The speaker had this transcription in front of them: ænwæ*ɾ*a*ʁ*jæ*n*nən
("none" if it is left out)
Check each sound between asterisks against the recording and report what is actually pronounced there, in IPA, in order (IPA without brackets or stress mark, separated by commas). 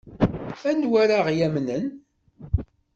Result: ɾ, ʁ, m